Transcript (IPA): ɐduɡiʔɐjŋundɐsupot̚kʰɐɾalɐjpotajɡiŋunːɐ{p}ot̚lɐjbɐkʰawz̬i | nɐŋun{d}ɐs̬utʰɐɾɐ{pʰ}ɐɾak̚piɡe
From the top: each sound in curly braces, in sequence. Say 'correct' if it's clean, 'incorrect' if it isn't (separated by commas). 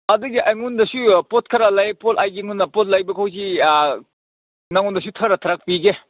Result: correct, correct, incorrect